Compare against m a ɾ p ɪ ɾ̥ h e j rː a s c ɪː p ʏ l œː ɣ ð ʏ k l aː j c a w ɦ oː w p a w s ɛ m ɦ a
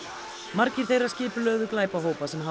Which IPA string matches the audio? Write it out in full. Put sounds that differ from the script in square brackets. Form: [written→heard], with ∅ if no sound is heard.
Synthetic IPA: m a ɾ [p→c] ɪ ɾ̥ [h→θ] e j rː a s c ɪː p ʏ l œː ɣ ð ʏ k l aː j [c→p] a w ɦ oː w p a [w→∅] s ɛ m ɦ a

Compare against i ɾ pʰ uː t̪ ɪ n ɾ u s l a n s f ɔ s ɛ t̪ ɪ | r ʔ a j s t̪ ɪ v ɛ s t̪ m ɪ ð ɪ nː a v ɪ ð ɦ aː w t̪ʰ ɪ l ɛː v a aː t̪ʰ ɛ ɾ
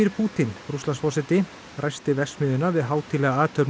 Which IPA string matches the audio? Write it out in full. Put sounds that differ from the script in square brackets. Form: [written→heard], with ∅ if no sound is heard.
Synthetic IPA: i ɾ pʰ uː t̪ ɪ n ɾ u s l a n s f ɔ s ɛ t̪ ɪ | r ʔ a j s t̪ ɪ v ɛ s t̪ m ɪ ð ɪ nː a v ɪ ð ɦ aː w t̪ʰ ɪ l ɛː [v→ɣ] a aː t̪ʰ [ɛ→œ] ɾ

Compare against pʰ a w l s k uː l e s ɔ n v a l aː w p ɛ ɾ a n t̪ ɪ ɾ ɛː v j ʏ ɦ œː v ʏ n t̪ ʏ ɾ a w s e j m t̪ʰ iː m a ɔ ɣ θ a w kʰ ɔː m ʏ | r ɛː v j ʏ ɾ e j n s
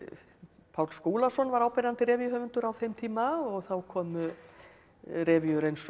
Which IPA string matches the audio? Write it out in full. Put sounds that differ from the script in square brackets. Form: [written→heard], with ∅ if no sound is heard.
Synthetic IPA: pʰ a w l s k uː l [e→a] s ɔ n v a [l→ɾ] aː w p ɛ ɾ a n t̪ ɪ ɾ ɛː v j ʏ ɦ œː v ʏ n t̪ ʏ ɾ a w [s→θ] e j m t̪ʰ iː m a ɔ ɣ θ a w kʰ ɔː m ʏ | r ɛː v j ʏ ɾ e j n s

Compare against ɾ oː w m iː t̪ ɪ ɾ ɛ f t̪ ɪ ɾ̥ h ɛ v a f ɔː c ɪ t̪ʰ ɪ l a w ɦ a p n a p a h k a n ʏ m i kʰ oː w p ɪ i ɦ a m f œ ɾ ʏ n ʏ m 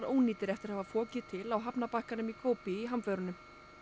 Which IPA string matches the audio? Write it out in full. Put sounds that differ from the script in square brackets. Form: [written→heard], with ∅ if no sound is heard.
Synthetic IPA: ɾ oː w [m→n] iː t̪ ɪ ɾ ɛ f t̪ ɪ ɾ̥ h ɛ v a f ɔː c ɪ t̪ʰ ɪ l a w ɦ a p n a p a h k a n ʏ m i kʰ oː w p ɪ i ɦ a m f œ ɾ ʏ n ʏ m

